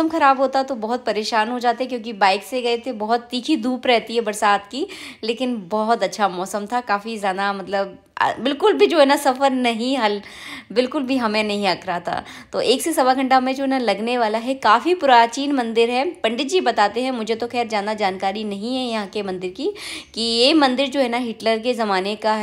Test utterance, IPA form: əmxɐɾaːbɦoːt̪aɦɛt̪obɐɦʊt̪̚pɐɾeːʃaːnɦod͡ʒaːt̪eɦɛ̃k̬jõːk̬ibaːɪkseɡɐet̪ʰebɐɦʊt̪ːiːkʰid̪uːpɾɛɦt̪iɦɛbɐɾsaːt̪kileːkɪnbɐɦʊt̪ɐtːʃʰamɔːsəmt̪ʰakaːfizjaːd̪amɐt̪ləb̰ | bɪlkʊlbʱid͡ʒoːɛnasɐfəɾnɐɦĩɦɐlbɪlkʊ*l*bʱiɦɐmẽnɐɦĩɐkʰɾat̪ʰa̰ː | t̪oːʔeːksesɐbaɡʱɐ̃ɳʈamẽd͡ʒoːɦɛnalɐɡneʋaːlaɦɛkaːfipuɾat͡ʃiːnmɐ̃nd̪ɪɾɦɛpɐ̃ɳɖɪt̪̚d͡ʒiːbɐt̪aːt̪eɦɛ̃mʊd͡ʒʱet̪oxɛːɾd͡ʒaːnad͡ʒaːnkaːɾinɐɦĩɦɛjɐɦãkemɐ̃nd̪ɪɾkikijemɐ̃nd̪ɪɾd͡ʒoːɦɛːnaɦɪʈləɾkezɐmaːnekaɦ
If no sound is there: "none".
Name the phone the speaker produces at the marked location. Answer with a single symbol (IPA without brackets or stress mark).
l